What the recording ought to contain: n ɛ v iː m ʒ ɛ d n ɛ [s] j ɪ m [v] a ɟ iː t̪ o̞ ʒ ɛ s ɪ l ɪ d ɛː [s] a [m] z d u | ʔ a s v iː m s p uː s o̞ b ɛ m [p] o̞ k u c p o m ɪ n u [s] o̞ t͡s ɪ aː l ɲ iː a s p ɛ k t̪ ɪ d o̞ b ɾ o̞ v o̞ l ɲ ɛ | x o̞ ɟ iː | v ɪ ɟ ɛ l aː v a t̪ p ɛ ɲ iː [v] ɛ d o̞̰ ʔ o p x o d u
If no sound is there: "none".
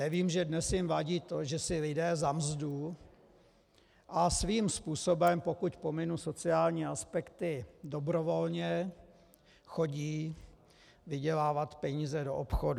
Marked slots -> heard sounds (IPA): s, v, z, m, p, s, z

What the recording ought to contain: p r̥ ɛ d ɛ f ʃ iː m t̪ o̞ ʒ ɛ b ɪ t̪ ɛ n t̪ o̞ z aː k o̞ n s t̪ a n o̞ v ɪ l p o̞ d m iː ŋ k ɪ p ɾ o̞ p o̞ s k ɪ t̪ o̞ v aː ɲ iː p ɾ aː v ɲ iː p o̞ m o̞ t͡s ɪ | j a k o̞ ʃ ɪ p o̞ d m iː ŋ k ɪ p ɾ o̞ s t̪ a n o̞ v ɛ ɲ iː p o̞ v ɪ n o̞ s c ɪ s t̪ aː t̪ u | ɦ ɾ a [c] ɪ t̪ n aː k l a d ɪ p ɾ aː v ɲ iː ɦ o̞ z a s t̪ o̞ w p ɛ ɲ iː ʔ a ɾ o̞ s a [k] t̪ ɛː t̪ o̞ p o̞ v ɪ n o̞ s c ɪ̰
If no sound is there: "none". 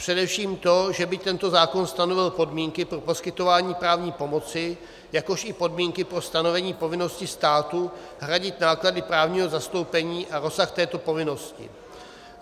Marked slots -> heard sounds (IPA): ɟ, x

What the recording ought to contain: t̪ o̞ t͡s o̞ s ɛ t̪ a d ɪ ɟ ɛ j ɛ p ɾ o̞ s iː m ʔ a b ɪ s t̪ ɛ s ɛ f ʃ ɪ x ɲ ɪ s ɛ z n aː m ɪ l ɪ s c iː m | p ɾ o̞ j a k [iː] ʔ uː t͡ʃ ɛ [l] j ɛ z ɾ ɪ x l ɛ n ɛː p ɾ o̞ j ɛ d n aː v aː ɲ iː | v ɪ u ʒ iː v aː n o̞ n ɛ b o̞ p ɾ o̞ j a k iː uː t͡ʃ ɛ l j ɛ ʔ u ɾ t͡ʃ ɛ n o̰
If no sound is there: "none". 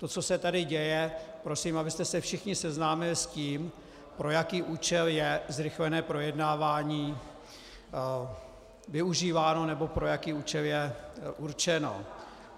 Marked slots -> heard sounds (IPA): iː, l

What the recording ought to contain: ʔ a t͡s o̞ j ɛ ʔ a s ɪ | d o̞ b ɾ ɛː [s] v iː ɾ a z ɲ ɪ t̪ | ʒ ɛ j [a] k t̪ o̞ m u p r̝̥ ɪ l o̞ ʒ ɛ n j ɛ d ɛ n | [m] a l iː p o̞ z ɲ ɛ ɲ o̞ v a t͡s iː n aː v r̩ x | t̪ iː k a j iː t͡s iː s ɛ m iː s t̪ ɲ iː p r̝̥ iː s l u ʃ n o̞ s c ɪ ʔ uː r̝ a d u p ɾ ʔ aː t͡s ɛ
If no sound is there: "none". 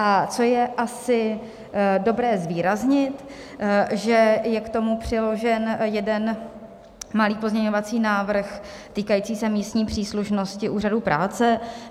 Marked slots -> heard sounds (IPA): z, ɛ, m

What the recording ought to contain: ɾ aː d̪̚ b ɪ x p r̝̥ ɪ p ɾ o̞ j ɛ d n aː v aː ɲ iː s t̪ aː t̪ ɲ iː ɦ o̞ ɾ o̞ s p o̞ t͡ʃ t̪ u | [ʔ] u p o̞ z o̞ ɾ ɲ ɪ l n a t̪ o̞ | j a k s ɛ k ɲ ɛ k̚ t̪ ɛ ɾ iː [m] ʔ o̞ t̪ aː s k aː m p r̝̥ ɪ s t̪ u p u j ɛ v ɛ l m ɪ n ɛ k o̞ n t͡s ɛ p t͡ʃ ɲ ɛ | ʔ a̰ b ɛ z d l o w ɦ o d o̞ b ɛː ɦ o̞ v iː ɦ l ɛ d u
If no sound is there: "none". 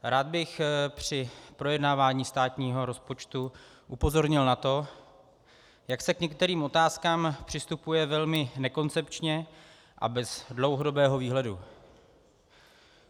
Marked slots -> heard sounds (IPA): ʔ, m

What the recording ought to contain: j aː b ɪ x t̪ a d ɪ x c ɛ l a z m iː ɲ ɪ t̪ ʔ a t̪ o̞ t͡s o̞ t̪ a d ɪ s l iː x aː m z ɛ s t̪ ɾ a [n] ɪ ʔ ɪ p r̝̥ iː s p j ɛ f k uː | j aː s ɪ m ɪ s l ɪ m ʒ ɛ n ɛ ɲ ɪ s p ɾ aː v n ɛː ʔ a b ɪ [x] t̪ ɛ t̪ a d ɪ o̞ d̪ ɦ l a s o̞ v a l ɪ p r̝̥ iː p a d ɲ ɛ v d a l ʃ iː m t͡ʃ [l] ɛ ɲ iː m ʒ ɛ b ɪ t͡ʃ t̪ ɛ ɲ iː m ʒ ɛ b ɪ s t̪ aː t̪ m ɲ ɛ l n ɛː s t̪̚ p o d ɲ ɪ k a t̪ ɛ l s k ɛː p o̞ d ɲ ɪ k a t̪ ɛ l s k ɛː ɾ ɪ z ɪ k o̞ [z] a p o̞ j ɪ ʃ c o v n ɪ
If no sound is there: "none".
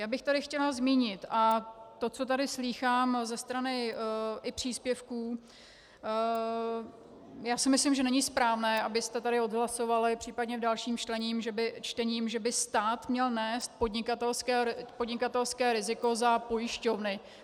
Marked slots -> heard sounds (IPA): n, s, l, z

